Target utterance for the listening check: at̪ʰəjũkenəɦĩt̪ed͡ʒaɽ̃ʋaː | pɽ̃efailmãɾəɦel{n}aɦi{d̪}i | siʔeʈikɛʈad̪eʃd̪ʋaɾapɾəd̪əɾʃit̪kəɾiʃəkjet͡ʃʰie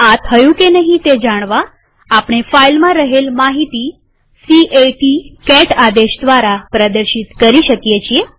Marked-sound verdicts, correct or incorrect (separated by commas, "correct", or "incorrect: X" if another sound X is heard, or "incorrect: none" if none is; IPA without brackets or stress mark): incorrect: m, incorrect: t̪